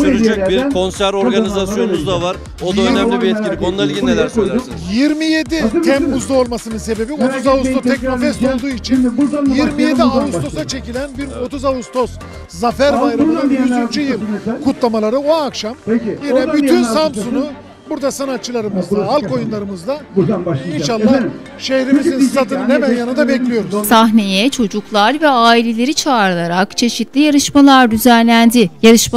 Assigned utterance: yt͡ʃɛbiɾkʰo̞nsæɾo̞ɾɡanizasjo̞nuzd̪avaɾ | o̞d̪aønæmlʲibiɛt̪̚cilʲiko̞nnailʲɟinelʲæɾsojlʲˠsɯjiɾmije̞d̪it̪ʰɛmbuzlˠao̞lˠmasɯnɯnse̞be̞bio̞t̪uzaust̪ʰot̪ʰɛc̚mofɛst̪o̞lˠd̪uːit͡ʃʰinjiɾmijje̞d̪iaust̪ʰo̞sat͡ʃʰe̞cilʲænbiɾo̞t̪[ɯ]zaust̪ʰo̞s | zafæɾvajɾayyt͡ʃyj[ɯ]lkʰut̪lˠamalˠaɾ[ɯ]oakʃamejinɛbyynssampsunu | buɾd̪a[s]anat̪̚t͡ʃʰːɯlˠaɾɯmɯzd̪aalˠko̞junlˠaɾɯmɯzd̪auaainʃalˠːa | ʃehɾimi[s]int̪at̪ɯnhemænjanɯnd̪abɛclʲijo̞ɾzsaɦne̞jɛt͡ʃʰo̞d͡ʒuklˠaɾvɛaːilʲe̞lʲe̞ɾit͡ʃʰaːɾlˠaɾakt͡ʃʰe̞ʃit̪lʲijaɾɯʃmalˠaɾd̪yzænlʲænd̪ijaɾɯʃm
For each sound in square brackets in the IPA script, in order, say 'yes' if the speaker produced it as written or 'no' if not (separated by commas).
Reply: no, yes, yes, yes, no